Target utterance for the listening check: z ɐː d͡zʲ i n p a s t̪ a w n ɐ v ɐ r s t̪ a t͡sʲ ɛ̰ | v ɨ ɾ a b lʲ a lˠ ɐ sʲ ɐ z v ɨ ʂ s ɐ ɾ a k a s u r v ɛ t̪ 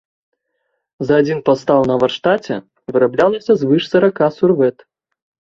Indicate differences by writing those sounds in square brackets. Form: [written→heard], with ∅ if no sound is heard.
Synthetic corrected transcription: z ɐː d͡zʲ i n p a s t̪ a w n ɐ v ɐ r [s→ʂ] t̪ a t͡sʲ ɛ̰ | v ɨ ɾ a b lʲ a lˠ ɐ sʲ ɐ z v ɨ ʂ s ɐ ɾ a k a s u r v ɛ t̪